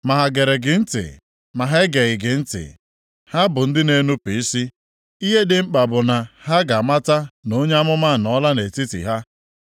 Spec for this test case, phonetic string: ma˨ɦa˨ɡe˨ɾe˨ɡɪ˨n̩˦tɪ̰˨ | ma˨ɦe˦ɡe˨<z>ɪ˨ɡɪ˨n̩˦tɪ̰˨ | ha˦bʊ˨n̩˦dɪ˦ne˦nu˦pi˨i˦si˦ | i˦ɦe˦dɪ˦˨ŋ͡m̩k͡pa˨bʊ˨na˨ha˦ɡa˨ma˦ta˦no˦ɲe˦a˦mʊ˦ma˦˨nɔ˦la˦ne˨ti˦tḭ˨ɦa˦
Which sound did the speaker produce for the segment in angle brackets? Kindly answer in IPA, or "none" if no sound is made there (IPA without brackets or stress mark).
ɣ